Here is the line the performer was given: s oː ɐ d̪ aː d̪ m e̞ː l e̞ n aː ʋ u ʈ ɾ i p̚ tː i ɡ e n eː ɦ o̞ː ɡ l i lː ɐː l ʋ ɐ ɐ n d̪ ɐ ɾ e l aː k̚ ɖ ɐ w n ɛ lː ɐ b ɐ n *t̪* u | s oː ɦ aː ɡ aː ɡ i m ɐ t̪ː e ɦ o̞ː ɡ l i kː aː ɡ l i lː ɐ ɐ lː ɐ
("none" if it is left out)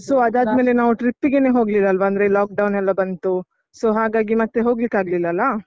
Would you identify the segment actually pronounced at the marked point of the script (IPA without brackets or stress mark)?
t̪